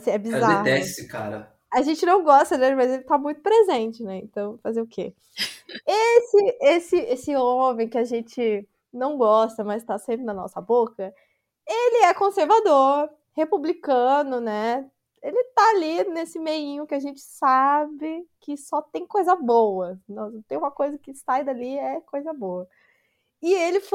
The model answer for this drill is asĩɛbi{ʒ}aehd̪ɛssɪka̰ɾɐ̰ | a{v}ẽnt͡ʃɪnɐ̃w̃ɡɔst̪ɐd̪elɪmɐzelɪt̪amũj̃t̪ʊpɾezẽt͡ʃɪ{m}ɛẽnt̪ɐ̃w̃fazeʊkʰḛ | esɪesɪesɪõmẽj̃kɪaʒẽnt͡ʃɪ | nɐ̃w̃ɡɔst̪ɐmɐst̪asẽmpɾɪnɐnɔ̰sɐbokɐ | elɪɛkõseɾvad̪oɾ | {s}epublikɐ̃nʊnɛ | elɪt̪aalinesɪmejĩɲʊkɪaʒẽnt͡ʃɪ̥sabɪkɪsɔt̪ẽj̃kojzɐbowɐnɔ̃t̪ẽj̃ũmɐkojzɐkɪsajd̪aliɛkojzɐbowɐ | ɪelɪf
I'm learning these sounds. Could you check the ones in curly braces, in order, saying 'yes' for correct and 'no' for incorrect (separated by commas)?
no, no, no, no